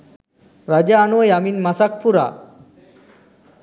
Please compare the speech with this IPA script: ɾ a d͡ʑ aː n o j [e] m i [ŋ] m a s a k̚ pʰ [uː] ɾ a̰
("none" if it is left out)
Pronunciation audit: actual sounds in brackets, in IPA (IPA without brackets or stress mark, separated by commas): a, n, u